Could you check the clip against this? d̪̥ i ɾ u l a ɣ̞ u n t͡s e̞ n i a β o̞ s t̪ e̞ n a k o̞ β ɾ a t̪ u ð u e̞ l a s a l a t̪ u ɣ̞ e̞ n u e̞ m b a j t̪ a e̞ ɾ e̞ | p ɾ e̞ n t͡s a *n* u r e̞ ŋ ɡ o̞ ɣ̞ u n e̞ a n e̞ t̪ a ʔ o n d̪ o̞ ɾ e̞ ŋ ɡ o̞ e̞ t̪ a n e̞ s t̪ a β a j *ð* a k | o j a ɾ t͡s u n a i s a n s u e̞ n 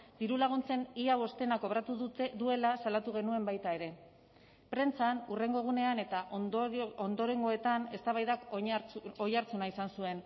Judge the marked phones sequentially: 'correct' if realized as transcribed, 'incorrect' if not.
correct, correct

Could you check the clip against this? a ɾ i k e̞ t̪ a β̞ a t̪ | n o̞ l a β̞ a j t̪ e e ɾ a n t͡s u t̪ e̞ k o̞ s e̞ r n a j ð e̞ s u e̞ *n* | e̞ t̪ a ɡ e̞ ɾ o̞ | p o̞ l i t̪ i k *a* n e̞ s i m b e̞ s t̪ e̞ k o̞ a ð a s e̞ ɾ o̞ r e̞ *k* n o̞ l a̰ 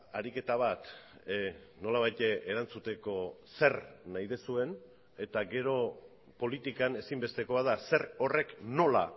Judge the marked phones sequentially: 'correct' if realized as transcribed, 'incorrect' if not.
correct, correct, correct

